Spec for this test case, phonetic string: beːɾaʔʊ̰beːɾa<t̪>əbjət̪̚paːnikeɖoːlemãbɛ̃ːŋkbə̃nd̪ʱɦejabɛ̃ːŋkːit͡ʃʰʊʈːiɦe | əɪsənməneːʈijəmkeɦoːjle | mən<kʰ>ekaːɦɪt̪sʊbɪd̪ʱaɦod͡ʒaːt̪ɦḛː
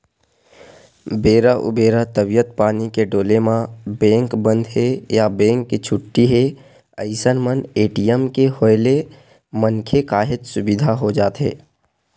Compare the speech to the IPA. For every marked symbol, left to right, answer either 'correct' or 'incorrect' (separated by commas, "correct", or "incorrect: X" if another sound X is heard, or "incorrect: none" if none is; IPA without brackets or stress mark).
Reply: correct, correct